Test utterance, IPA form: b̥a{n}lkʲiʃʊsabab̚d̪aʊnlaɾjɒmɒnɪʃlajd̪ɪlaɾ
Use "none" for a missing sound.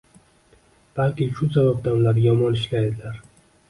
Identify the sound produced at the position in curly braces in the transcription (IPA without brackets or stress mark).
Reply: none